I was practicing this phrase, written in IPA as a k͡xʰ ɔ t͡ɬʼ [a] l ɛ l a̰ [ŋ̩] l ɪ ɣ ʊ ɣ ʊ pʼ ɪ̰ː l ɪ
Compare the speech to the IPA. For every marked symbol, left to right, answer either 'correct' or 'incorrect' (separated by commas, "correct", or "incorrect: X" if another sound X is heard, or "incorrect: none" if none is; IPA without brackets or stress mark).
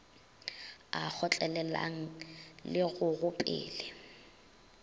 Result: incorrect: ɛ, correct